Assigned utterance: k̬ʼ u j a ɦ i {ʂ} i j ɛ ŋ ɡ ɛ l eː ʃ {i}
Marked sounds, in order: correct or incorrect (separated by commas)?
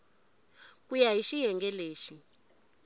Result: incorrect, correct